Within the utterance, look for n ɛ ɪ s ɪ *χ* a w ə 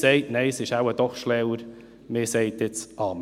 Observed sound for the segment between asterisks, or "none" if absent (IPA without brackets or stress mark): ʃ